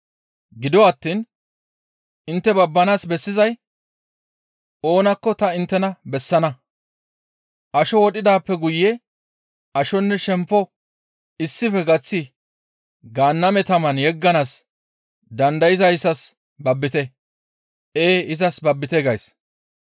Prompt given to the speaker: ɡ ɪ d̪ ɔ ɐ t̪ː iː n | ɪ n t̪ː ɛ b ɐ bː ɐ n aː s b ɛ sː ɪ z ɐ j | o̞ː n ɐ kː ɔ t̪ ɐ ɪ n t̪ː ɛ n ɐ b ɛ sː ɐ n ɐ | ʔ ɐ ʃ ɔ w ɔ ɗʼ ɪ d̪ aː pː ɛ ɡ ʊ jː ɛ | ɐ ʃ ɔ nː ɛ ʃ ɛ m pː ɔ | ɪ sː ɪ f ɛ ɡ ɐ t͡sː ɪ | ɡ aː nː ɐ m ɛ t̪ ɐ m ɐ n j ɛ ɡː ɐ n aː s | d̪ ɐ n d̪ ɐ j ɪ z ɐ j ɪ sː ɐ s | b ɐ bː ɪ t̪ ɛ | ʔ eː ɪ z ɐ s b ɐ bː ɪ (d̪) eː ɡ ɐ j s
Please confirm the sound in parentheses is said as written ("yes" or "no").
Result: no